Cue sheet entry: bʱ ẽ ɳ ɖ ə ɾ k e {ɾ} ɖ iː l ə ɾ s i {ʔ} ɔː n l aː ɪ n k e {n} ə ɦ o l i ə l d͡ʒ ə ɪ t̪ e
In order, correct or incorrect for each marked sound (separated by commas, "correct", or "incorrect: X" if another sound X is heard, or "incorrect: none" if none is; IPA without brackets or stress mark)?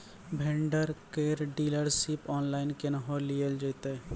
correct, incorrect: p, correct